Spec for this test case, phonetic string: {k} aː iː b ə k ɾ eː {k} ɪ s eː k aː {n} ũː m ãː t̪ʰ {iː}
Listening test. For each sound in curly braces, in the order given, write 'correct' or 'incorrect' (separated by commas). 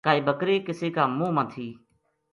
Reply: correct, correct, incorrect, correct